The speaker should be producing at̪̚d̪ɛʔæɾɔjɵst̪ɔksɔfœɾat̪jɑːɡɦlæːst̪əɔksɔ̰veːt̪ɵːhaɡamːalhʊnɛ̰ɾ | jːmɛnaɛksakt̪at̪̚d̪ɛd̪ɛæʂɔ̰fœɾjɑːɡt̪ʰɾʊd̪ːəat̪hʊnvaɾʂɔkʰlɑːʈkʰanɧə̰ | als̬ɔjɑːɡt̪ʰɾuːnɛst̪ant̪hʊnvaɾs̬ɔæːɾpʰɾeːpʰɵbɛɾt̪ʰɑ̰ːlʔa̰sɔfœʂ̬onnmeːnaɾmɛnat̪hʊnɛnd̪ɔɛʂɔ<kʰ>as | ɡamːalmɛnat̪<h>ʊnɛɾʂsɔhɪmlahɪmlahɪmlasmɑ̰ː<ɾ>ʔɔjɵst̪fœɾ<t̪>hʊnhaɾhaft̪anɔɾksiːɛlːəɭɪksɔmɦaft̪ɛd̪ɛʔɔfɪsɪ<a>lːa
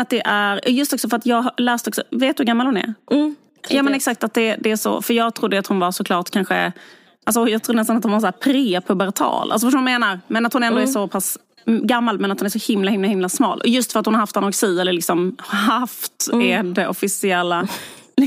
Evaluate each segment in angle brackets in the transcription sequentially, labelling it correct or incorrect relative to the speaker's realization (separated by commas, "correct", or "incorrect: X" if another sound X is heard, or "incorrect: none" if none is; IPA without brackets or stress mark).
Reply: incorrect: pʰ, correct, incorrect: l, correct, incorrect: ɛ